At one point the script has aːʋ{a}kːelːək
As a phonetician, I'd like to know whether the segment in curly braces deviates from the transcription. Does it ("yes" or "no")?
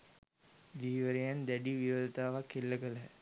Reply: no